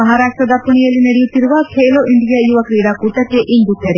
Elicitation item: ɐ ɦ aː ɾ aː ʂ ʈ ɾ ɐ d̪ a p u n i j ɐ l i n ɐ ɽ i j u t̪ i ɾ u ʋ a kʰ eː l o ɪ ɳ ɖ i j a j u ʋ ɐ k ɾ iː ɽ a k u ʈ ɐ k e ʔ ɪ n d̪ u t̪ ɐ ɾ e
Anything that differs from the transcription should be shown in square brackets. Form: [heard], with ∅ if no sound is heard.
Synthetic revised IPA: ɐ ɦ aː ɾ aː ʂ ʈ ɾ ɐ d̪ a p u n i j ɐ l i n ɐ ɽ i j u t̪ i ɾ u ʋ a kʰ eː l o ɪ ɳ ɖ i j a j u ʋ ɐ k ɾ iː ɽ a k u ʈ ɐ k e ʔ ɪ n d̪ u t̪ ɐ ɾ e